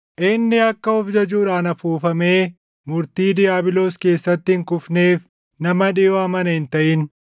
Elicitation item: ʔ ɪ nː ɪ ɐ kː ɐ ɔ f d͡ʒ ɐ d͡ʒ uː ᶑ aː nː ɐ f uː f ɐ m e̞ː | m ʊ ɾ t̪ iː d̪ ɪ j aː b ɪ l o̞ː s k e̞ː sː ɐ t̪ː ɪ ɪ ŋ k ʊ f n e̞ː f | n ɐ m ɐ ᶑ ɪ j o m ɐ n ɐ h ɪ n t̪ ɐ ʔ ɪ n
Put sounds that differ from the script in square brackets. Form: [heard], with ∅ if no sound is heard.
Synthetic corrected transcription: ʔ ɪ nː ɪ ɐ kː ɐ ɔ f d͡ʒ ɐ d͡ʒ uː ᶑ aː [n] ɐ f uː f ɐ m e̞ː | m ʊ ɾ t̪ iː d̪ ɪ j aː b ɪ l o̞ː s k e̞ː sː ɐ t̪ː ɪ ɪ ŋ k ʊ f n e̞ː f | n ɐ m ɐ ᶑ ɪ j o m ɐ n ɐ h ɪ n t̪ ɐ ʔ ɪ n